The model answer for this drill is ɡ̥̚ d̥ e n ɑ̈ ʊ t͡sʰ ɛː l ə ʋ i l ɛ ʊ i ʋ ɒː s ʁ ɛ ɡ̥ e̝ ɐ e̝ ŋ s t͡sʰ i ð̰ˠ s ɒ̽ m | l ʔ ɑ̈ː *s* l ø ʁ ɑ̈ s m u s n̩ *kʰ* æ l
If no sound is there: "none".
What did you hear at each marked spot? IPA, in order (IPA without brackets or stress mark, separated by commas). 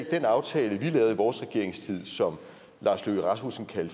s, kʰ